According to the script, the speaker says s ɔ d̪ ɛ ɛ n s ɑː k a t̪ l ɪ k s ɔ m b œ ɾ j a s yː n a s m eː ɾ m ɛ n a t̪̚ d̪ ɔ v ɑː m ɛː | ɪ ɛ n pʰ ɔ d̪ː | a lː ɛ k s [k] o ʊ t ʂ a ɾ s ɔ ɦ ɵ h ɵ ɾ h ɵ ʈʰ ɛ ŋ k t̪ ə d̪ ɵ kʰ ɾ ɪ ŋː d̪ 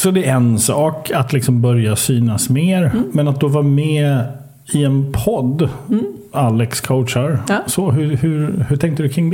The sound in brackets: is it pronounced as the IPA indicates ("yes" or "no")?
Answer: no